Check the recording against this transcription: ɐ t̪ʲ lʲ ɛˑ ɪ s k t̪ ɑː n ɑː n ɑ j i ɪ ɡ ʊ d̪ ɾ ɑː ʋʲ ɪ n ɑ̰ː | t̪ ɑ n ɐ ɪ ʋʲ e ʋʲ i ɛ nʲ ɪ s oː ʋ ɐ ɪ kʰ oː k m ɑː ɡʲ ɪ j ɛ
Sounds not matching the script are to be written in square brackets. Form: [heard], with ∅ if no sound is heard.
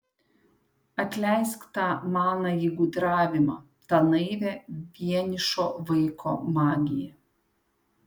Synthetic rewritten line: ɐ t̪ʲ lʲ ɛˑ ɪ s k t̪ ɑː [m] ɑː n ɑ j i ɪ ɡ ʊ d̪ ɾ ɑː ʋʲ ɪ [m] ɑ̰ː | t̪ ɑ n ɐ ɪ ʋʲ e ʋʲ i ɛ nʲ ɪ [ʃ] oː ʋ ɐ ɪ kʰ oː [∅] m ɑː ɡʲ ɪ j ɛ